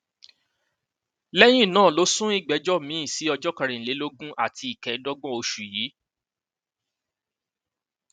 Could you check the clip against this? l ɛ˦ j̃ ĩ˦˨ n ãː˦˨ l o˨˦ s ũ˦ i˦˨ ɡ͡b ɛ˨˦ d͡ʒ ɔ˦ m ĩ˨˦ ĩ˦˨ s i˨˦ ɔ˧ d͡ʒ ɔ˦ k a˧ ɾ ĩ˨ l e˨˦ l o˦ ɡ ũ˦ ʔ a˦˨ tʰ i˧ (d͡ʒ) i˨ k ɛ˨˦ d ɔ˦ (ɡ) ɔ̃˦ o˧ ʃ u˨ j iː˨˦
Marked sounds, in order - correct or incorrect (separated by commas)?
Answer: incorrect, incorrect